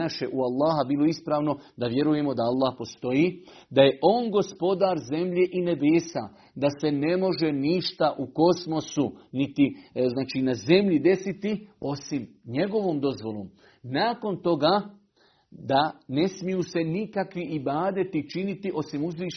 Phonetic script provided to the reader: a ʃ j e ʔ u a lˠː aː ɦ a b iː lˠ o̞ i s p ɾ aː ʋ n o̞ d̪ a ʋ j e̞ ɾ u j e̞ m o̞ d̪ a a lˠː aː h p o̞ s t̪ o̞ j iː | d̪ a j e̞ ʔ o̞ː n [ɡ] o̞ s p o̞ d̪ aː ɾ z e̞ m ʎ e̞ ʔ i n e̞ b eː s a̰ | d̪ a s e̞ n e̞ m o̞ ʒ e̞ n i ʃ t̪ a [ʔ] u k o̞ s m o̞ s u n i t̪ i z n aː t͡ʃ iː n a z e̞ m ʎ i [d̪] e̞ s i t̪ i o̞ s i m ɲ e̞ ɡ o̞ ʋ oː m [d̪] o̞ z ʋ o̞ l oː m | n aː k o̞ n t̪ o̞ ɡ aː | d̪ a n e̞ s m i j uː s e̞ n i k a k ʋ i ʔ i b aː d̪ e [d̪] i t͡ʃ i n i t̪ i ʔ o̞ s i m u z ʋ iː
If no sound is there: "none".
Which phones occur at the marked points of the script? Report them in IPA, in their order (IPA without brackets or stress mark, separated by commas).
ɡ, ʔ, d̪, d̪, t̪